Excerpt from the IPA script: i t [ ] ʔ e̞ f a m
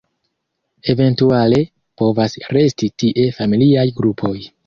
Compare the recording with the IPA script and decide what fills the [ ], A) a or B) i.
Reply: B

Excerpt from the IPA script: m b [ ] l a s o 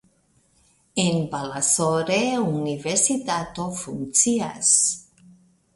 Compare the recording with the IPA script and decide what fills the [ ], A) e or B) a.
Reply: B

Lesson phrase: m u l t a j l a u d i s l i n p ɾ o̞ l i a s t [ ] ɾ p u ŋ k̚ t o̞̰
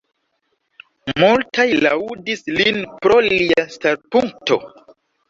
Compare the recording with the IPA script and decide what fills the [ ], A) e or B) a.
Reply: B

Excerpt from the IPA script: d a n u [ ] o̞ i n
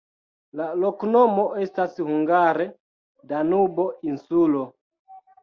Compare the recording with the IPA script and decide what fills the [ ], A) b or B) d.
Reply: A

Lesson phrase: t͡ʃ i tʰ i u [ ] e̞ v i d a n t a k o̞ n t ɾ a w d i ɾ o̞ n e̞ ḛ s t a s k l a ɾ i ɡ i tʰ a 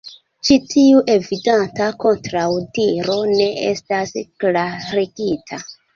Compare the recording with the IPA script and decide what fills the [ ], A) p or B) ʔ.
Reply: B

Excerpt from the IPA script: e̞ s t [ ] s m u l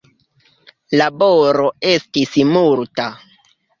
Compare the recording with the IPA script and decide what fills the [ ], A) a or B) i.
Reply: B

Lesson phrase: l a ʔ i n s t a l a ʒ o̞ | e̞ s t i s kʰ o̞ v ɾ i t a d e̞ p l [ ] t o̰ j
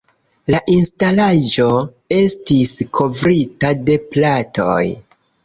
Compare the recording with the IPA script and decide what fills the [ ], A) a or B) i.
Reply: A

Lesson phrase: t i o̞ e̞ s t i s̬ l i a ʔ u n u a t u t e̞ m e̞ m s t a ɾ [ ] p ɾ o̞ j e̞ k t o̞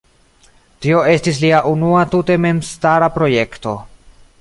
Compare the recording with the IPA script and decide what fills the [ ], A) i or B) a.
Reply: B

